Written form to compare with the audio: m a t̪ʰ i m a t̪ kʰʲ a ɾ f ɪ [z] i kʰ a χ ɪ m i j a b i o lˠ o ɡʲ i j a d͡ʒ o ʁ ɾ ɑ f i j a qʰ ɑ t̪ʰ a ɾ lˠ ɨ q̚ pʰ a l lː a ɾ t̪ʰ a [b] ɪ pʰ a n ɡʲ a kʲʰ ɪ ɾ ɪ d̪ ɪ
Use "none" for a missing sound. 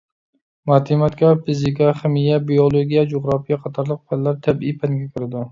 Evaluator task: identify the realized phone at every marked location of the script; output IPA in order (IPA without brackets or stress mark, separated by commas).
z, b